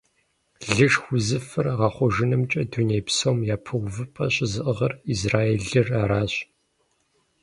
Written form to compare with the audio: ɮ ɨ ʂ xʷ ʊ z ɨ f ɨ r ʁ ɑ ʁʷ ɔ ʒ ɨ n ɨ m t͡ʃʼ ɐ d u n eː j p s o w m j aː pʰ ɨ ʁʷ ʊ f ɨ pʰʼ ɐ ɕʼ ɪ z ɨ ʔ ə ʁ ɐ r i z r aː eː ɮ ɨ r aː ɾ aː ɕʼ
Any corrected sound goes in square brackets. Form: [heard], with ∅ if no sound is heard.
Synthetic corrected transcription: ɮ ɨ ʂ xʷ ʊ z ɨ f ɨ r ʁ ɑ [χʷ] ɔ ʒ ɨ n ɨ m t͡ʃʼ ɐ d u n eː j p s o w m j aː pʰ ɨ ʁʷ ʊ [v] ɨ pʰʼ ɐ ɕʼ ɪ z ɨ ʔ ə ʁ ɐ r i z r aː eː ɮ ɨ r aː ɾ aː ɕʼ